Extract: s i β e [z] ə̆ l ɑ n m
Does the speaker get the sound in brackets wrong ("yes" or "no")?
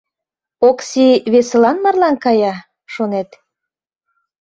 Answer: yes